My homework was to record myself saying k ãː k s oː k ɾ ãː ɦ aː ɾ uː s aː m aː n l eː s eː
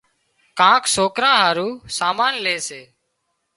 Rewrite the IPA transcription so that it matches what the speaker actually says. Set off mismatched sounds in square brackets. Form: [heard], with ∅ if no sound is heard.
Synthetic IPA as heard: k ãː k s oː k ɾ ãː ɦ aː ɾ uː s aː m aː n l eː s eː

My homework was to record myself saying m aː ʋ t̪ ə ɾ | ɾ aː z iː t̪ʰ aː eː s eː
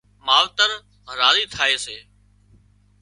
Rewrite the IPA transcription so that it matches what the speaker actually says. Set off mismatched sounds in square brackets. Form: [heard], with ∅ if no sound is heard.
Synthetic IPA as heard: m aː ʋ t̪ ə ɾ | ɾ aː z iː t̪ʰ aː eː s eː

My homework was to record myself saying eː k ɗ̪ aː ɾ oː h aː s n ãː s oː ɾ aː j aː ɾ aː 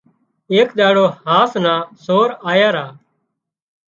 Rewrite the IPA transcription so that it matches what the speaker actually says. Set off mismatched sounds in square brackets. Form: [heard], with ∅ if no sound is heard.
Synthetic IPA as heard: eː k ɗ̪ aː [ɽ] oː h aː s n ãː s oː ɾ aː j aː ɾ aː

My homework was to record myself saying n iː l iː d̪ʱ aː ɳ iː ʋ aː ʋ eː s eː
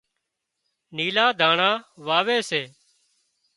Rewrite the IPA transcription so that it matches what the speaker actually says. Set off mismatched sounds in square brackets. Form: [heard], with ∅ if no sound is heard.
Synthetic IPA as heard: n iː l [aː] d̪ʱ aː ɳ [aː] ʋ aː ʋ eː s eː

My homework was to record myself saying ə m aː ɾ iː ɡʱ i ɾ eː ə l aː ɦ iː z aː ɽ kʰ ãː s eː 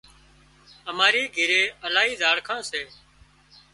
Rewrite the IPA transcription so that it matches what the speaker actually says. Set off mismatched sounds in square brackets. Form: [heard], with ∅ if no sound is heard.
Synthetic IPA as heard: ə m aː ɾ iː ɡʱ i ɾ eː ə l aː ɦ iː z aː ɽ kʰ ãː s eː

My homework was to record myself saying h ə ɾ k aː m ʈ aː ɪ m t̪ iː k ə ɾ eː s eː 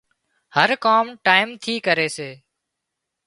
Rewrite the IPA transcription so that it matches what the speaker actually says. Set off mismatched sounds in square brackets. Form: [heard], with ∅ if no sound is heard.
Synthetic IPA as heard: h ə ɾ k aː m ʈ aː ɪ m [t̪ʰ] iː k ə ɾ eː s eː

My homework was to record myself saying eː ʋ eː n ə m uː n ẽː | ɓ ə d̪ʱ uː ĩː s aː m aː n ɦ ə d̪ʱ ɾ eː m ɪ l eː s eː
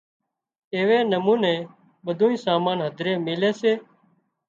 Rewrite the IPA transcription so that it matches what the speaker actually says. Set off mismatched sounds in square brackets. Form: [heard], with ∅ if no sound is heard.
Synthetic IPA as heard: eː ʋ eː n ə m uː n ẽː | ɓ ə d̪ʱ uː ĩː s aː m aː n ɦ ə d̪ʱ ɾ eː m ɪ l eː s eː

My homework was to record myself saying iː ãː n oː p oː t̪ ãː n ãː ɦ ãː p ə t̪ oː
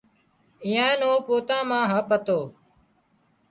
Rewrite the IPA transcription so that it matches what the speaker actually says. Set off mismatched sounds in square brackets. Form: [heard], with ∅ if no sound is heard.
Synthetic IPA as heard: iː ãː n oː p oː t̪ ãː [m] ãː ɦ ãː p ə t̪ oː

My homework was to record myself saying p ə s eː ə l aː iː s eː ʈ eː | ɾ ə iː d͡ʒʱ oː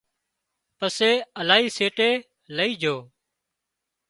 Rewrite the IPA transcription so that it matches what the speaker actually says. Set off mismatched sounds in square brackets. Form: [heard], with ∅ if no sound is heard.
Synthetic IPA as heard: p ə s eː ə l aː iː s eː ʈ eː | [l] ə iː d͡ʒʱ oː

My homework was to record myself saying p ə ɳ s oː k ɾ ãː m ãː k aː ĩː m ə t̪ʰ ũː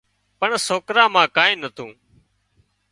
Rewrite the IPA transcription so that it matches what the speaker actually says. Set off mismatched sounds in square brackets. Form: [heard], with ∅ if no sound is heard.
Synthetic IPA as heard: p ə ɳ s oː k ɾ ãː m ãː k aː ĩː [n] ə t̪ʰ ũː

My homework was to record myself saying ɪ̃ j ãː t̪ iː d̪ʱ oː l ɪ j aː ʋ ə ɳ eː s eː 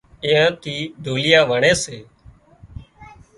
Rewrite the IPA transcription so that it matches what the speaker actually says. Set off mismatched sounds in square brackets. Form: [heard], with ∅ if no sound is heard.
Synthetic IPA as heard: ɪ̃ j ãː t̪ iː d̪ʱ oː l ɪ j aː ʋ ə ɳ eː s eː

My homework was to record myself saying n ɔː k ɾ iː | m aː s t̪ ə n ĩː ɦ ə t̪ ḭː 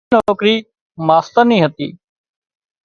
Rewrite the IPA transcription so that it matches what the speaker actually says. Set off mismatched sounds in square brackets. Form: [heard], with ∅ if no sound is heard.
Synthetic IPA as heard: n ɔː k ɾ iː | m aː s t̪ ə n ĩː ɦ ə t̪ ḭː

